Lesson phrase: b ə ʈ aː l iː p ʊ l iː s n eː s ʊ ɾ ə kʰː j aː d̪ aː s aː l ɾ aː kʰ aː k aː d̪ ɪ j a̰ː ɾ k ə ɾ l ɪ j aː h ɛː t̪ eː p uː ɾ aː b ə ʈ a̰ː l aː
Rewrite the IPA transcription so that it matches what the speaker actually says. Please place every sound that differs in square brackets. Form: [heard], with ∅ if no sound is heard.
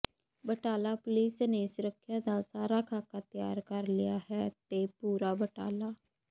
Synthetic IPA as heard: b ə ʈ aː l [aː] p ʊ l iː s n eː s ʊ ɾ ə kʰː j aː d̪ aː s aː [∅] ɾ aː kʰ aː k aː [t̪] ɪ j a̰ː ɾ k ə ɾ l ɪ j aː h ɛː t̪ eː p uː ɾ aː b ə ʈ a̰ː l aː